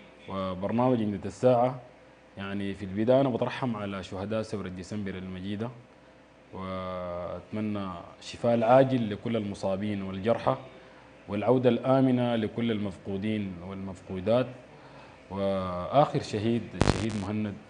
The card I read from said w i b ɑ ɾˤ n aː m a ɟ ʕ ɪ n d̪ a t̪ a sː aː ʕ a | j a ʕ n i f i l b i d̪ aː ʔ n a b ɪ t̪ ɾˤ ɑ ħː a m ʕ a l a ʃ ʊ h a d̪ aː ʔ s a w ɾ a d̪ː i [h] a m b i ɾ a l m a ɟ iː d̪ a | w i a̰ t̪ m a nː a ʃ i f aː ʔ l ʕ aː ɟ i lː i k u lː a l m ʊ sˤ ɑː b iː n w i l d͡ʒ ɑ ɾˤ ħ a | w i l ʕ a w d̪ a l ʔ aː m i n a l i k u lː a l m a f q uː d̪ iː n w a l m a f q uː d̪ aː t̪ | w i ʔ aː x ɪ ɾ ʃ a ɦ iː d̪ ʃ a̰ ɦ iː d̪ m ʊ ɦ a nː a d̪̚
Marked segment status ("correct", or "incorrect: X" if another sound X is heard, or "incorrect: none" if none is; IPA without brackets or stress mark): incorrect: s